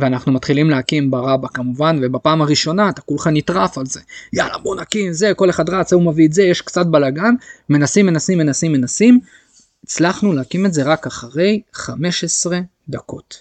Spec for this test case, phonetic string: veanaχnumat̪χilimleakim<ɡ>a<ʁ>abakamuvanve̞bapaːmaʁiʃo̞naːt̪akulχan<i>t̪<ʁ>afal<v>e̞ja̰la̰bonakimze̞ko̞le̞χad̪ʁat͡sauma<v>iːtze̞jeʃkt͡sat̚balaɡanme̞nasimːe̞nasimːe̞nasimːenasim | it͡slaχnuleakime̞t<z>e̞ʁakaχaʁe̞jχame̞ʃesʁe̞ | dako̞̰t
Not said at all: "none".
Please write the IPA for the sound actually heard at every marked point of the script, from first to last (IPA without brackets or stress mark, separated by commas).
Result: b, ʁ, i, ʁ, z, v, z